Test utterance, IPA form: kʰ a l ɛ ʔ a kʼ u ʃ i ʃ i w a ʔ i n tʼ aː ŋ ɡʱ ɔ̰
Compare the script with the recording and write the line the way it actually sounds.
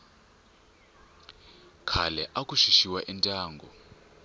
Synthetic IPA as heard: kʰ a l ɛ ʔ a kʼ u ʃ i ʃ i w a ʔ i n tʼ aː ŋ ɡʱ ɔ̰